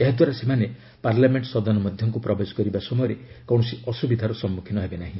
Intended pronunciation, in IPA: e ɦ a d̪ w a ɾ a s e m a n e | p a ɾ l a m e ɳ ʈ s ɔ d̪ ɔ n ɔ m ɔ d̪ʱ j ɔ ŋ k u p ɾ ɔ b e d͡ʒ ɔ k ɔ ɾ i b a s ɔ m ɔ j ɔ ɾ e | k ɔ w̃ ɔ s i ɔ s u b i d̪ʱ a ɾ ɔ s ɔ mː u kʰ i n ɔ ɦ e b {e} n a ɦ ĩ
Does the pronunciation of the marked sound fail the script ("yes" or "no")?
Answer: no